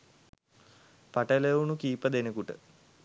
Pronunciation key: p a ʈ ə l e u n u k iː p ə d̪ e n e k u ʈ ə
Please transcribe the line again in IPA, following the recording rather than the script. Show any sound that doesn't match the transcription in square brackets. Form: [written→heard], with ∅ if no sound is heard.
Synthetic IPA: p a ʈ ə l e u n u k iː p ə d̪ e n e k u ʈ ə